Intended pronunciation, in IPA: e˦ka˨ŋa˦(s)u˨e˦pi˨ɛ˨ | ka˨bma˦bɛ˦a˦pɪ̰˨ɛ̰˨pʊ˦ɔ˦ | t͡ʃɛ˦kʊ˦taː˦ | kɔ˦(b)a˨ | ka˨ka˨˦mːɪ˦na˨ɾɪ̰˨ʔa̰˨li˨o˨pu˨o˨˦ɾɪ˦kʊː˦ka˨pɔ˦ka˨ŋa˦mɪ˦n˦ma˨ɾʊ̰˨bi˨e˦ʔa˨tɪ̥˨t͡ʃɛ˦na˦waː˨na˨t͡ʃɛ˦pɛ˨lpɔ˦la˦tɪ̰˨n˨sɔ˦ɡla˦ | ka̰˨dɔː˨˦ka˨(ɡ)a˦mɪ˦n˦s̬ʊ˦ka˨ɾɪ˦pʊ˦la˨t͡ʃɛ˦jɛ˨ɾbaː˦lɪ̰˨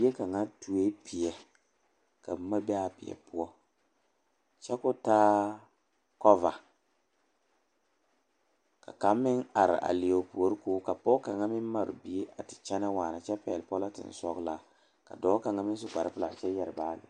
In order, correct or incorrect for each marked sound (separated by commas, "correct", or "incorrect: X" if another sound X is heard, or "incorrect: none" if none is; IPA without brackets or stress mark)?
incorrect: t, incorrect: v, incorrect: ŋ